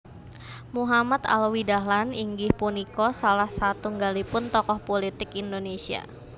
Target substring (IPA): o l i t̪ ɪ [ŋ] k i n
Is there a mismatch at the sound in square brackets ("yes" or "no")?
yes